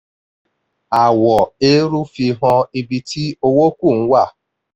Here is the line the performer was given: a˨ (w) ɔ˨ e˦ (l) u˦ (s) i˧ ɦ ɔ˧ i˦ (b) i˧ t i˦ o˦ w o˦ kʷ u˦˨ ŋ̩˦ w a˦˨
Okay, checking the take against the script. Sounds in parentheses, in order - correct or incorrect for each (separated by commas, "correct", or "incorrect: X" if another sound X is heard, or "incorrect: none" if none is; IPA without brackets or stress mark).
correct, incorrect: ɾ, incorrect: f, correct